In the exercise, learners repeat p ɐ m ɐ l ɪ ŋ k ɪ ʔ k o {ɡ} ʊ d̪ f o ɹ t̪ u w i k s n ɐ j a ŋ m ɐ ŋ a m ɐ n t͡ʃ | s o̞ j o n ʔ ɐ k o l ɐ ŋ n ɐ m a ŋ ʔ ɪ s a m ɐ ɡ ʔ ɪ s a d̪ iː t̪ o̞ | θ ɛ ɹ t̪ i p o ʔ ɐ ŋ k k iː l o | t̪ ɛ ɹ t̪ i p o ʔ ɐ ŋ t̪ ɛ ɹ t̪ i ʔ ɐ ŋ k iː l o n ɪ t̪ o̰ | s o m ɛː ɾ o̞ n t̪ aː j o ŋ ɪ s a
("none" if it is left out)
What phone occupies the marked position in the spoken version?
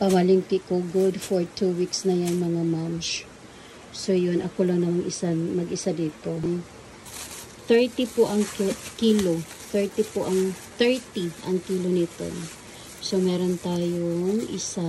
ɡ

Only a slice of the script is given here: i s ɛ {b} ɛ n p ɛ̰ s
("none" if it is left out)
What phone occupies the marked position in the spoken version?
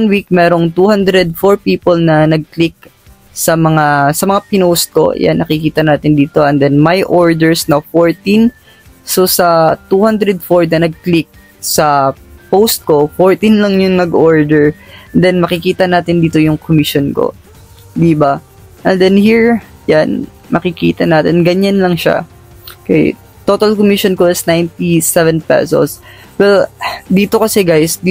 v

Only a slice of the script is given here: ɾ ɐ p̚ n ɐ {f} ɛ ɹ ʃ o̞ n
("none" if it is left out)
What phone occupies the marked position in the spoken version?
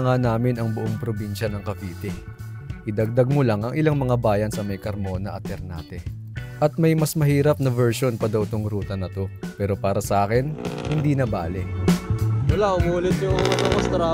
v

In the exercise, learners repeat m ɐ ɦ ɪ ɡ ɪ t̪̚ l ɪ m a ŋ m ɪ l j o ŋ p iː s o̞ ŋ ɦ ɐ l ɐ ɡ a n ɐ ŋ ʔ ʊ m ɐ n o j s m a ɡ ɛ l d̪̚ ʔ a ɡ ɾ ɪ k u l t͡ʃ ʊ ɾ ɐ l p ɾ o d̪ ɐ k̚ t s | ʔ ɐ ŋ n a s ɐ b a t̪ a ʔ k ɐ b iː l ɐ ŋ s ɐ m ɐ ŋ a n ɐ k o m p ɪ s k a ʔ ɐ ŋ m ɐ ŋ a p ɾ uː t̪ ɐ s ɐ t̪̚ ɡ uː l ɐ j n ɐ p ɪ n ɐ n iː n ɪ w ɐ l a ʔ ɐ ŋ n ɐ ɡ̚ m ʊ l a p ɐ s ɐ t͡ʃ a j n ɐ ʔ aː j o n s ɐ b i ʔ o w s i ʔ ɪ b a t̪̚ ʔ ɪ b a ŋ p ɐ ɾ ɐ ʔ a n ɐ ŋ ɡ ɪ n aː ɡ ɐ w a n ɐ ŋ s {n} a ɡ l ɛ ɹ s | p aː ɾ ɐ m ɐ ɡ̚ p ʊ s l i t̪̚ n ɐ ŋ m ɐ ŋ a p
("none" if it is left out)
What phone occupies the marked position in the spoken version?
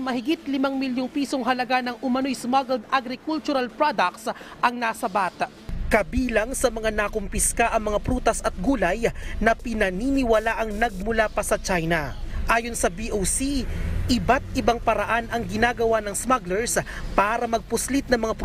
m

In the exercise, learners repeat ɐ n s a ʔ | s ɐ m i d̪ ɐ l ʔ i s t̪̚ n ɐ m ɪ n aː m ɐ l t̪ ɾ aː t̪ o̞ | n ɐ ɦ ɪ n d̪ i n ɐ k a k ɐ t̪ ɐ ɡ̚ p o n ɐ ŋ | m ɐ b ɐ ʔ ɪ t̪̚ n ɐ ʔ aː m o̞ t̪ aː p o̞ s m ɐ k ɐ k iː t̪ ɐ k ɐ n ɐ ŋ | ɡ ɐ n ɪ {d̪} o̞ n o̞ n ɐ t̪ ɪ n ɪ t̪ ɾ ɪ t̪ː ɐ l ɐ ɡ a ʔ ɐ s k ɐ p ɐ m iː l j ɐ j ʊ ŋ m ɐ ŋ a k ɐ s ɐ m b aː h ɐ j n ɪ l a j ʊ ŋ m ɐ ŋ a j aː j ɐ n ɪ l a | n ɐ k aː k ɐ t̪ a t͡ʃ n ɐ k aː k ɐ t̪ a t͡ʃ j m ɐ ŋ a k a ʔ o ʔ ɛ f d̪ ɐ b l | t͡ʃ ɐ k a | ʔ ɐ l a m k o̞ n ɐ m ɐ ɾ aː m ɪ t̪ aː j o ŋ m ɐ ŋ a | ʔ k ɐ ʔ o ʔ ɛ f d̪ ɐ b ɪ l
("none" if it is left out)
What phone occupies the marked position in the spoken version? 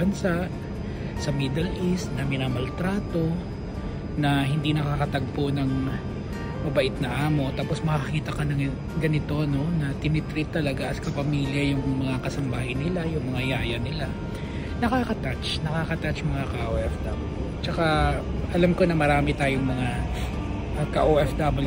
t̪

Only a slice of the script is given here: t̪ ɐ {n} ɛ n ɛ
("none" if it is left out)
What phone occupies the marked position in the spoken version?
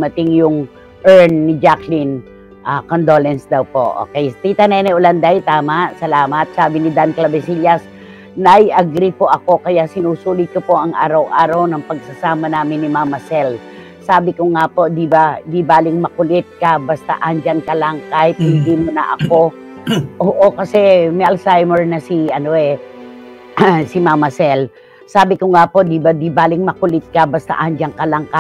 n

